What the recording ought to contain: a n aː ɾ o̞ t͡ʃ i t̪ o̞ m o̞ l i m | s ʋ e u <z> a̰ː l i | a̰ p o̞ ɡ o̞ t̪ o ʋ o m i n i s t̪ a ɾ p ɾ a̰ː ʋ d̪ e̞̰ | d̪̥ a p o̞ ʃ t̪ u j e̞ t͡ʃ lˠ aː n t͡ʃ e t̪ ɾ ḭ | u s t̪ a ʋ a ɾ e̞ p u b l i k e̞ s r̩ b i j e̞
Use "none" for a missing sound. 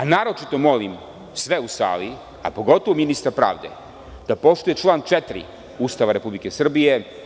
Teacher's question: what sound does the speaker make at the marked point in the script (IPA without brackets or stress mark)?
s